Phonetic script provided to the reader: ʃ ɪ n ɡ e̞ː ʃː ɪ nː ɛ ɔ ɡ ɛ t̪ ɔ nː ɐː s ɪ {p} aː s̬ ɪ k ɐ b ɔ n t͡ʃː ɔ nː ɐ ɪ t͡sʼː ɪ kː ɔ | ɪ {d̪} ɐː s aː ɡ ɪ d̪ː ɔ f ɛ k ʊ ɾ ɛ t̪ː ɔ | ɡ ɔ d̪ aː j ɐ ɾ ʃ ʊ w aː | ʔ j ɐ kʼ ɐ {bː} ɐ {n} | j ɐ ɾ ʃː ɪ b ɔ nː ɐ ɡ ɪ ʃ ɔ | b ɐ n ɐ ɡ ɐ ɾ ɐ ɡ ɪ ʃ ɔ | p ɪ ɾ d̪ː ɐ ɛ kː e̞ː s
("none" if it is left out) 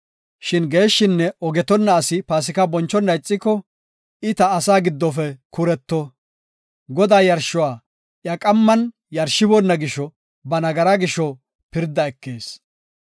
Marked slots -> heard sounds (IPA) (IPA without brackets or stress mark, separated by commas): p, t̪, mː, n